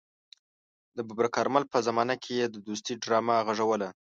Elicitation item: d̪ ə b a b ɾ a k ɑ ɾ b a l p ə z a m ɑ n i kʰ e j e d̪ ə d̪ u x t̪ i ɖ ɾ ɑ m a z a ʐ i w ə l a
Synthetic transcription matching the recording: d̪ ə b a b ɾ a k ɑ ɾ m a l p ə z a m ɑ n a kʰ e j e d̪ ə d̪ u s t̪ i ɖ ɾ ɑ m a ɣ a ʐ a w ə l a